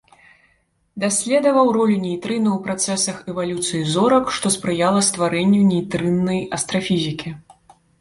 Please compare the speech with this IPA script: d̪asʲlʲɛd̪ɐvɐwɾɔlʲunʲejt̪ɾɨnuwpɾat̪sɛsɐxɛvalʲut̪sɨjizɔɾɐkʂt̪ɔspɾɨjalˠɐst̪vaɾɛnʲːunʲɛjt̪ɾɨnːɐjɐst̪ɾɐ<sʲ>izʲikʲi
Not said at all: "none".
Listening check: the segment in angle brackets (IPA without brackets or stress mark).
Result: fʲ